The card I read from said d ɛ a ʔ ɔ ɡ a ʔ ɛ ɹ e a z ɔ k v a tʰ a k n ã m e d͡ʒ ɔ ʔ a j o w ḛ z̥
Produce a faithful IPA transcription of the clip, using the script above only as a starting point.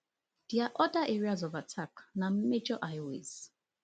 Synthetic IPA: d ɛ a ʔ ɔ d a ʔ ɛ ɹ i a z ɔ v a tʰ a k n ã m e d͡ʒ ɔ ʔ a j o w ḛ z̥